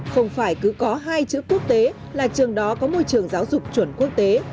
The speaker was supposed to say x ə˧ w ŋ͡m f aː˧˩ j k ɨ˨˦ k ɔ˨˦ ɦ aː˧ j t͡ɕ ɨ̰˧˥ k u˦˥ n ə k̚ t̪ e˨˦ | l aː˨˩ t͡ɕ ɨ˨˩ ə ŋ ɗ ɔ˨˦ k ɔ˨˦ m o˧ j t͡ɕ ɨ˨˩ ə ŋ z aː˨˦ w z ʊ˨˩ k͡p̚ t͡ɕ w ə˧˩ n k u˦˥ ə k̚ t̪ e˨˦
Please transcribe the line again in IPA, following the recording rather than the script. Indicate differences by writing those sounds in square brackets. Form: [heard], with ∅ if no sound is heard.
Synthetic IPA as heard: x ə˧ w ŋ͡m f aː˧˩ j k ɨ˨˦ k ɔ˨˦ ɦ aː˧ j t͡ɕ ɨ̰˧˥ k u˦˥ [∅] ə k̚ t̪ e˨˦ | l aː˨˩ t͡ɕ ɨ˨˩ ə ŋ ɗ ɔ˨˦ k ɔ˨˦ m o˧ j t͡ɕ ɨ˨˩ ə ŋ z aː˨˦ w z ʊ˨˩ k͡p̚ t͡ɕ w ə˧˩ n k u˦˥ ə k̚ t̪ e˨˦

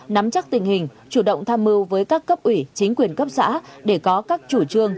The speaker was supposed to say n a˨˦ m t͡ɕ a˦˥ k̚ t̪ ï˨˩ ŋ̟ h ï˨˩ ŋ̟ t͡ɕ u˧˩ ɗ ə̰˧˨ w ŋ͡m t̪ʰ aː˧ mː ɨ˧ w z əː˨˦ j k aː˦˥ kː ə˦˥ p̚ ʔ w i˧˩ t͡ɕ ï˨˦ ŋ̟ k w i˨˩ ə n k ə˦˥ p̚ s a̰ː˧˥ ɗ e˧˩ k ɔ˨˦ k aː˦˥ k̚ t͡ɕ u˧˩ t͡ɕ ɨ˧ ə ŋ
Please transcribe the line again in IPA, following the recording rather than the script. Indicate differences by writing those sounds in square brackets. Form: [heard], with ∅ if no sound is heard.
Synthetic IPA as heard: n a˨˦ m t͡ɕ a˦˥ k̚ t̪ ï˨˩ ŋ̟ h ï˨˩ ŋ̟ t͡ɕ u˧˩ ɗ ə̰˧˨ w ŋ͡m t̪ʰ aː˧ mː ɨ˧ w [v] əː˨˦ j k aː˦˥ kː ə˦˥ p̚ ʔ w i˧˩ t͡ɕ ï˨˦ ŋ̟ k w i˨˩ ə n k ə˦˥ p̚ s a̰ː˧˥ ɗ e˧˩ k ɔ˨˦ k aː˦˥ k̚ t͡ɕ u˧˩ t͡ɕ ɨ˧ ə ŋ

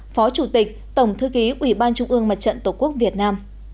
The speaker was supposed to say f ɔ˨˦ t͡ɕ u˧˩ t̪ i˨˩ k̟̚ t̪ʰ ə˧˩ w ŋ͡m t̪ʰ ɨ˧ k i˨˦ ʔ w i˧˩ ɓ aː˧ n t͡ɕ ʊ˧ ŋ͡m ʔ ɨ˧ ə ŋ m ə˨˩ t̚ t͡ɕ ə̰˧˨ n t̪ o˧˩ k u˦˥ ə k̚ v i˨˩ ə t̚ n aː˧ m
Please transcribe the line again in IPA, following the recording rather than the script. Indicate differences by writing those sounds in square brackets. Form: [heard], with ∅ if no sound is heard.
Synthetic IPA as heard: f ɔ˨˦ t͡ɕ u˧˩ t̪ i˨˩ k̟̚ [t̪] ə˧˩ w ŋ͡m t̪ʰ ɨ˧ k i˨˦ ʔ w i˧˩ ɓ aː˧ n t͡ɕ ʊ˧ ŋ͡m ʔ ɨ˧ ə ŋ m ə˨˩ t̚ t͡ɕ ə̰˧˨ n t̪ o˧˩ k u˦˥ ə k̚ v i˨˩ ə t̚ n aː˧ m

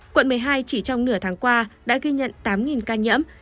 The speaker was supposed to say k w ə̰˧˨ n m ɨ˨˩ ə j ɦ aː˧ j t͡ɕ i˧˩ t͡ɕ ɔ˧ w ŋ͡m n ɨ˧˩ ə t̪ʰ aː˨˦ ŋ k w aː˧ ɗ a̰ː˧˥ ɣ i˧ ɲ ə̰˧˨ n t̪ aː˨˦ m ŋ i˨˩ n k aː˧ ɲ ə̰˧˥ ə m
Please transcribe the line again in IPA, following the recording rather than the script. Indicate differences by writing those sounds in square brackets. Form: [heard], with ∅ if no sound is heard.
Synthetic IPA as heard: k w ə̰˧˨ n m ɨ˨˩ ə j ɦ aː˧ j t͡ɕ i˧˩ t͡ɕ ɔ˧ w ŋ͡m n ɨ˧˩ ə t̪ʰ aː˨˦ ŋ k w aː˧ ɗ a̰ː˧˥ ɣ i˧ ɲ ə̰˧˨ n t̪ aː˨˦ m ŋ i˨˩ n k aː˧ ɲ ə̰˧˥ ə m

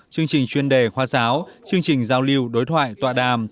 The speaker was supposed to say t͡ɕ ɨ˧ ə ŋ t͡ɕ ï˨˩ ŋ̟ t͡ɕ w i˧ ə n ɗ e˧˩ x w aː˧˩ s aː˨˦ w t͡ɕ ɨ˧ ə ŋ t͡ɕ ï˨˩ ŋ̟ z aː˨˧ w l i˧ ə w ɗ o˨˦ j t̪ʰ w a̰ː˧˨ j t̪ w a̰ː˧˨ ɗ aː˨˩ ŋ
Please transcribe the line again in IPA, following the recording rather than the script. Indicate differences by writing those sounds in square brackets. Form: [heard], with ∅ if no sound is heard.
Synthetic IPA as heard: t͡ɕ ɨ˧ ə ŋ t͡ɕ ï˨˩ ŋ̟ t͡ɕ w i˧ ə n ɗ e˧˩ x w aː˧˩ s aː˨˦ w t͡ɕ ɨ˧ ə ŋ t͡ɕ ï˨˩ ŋ̟ z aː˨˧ w l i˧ ə w ɗ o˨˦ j t̪ʰ w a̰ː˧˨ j t̪ w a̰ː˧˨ ɗ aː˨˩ [m]

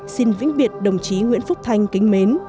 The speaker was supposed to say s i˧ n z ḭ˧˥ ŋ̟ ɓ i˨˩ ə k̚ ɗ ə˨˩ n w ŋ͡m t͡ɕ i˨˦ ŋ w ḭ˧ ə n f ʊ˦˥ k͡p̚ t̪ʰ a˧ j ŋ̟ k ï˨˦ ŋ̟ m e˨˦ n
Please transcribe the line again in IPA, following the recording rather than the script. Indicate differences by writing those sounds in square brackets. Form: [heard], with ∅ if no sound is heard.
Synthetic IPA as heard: s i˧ n [v] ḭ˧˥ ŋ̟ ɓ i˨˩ ə [t̚] ɗ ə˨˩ [∅] w ŋ͡m t͡ɕ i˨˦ ŋ w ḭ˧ ə n f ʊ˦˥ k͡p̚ t̪ʰ a˧ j ŋ̟ k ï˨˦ ŋ̟ m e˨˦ n

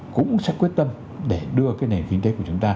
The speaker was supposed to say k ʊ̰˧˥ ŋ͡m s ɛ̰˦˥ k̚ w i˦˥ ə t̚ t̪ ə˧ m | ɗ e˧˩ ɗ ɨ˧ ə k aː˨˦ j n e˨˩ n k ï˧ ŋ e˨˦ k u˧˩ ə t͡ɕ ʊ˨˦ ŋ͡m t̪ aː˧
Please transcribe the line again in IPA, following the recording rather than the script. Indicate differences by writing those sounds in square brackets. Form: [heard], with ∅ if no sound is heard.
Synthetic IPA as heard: k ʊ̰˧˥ ŋ͡m s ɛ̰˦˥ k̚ w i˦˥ ə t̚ t̪ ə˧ m | ɗ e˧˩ ɗ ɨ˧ ə k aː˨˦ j n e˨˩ n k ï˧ ŋ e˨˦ k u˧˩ ə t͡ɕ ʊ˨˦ ŋ͡m t̪ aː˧

